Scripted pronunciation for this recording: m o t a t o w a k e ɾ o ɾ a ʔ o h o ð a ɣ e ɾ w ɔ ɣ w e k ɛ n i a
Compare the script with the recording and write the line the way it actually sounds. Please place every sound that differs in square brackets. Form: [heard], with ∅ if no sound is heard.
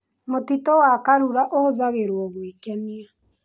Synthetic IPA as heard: m o t [i] t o w a k [a] ɾ [u] ɾ a ʔ o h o ð a ɣ e ɾ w ɔ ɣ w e k ɛ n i a

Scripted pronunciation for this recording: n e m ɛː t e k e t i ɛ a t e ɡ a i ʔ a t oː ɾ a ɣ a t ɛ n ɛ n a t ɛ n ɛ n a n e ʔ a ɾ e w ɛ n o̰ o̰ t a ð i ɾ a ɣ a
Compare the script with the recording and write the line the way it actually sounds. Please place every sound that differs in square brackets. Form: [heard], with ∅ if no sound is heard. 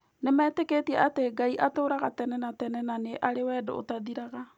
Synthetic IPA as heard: n e m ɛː t e k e t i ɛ a t e ɡ a i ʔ a t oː ɾ a ɣ a t ɛ n ɛ n a t ɛ n ɛ n a n e ʔ a ɾ e w ɛ [d] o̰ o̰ t a ð i ɾ a ɣ a

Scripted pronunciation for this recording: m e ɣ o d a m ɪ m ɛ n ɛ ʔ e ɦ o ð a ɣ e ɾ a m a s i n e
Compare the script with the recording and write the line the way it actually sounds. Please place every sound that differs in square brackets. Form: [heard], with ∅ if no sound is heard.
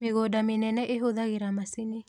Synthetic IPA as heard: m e ɣ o d a m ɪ [n] ɛ n ɛ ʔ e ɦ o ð a ɣ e ɾ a m a s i n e

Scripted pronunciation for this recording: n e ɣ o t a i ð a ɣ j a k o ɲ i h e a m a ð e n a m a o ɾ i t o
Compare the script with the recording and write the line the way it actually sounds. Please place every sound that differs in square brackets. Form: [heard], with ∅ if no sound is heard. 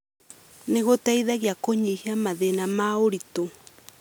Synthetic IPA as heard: n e ɣ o t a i ð a ɣ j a k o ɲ i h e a m a ð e n a m a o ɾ i t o

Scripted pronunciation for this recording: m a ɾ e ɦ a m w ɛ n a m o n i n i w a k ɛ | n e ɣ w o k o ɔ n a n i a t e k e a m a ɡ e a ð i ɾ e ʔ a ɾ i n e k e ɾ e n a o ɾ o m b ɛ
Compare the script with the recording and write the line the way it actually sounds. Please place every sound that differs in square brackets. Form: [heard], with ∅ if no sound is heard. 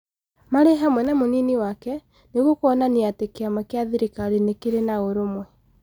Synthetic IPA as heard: m a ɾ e ɦ a m w ɛ n a m o n i n i w a k ɛ | n e ɣ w o k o ɔ n a n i a t e k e a m a [k] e a ð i ɾ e [k] a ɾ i n e k e ɾ e n a o ɾ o m [w] ɛ

